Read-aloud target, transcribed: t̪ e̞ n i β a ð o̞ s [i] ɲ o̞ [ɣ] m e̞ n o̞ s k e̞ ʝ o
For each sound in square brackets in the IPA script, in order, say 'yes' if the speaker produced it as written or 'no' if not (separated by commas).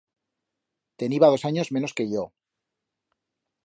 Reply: no, no